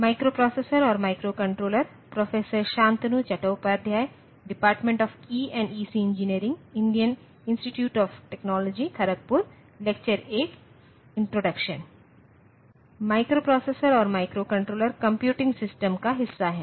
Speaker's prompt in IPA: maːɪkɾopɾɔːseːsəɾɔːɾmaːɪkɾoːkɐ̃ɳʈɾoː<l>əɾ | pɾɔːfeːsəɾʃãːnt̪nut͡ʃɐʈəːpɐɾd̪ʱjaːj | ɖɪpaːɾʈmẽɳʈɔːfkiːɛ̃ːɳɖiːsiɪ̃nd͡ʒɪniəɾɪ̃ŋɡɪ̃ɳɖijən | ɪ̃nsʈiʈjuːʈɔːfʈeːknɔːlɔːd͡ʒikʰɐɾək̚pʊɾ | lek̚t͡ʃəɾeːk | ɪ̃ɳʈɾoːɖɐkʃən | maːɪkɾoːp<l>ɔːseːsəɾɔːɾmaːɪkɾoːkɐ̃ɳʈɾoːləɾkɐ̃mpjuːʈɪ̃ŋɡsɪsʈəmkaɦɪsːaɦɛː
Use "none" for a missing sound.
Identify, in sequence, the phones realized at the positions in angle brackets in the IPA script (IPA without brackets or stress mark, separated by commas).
l, ɾ